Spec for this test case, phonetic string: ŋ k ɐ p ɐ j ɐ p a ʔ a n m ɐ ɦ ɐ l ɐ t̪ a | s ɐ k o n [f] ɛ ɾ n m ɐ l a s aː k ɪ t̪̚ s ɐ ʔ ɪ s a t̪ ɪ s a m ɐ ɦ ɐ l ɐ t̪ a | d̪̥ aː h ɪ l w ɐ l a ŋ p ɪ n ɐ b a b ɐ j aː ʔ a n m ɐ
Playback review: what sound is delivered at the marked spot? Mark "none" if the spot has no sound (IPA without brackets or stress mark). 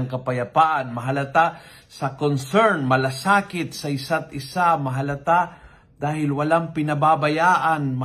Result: s